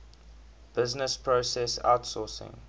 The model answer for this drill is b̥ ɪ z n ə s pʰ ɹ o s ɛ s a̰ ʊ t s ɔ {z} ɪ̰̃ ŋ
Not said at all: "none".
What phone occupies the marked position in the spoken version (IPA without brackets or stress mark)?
s